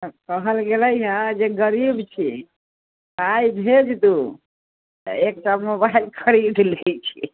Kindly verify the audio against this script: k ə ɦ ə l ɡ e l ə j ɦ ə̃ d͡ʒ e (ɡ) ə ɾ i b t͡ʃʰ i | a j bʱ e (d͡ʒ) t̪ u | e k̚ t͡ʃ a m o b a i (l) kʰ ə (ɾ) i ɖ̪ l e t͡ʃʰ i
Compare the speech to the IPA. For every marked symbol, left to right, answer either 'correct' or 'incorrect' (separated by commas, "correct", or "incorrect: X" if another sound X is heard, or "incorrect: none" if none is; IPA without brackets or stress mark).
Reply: correct, correct, correct, correct